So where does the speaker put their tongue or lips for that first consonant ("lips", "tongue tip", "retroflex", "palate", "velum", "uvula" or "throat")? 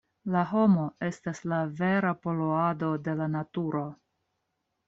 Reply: tongue tip